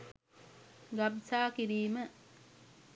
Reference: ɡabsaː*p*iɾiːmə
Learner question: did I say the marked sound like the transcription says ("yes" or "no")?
no